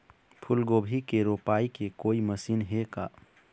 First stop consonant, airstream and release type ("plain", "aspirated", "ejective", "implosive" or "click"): aspirated